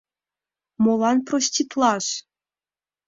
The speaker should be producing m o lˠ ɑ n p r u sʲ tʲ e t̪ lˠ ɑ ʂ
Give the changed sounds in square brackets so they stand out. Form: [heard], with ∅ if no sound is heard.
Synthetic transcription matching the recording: m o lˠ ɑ n p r [o] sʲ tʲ [i] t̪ lˠ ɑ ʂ